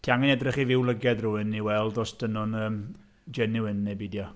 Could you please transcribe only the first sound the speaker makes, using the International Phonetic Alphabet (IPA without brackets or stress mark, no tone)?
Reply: tʰ